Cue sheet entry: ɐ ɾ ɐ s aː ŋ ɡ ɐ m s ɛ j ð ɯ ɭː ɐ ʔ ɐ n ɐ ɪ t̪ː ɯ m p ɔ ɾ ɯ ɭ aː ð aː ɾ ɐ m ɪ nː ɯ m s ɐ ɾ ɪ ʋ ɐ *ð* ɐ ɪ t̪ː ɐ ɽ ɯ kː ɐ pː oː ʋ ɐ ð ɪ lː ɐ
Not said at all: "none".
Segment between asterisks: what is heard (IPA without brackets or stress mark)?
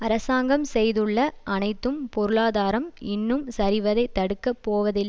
ð